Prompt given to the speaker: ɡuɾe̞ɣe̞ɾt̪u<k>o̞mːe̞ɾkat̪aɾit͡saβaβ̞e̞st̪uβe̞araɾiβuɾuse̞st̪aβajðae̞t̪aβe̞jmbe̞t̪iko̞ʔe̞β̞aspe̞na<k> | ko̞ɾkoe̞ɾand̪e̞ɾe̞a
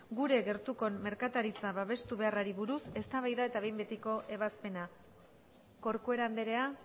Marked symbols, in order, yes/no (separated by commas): yes, no